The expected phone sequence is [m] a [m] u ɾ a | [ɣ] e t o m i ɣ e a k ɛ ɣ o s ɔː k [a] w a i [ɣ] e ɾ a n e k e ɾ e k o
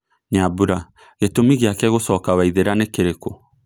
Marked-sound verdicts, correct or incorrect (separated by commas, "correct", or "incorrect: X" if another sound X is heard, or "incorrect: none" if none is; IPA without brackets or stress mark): incorrect: ɲ, incorrect: b, correct, correct, incorrect: ð